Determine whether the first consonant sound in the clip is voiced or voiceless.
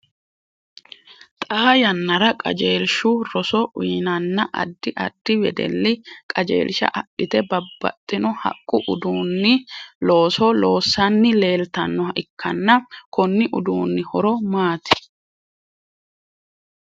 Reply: voiceless